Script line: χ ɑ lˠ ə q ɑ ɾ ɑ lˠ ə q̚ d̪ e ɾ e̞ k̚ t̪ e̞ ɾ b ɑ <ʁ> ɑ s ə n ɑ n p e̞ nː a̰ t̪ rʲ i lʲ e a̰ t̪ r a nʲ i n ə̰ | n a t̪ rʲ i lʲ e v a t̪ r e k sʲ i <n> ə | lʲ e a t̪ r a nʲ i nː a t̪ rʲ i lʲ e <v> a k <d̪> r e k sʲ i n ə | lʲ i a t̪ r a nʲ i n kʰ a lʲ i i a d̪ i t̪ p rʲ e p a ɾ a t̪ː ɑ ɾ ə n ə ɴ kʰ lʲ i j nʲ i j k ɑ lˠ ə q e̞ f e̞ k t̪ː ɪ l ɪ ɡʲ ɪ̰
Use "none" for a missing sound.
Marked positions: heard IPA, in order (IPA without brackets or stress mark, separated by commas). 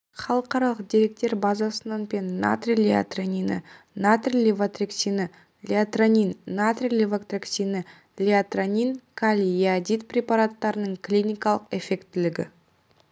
z, n, v, t̪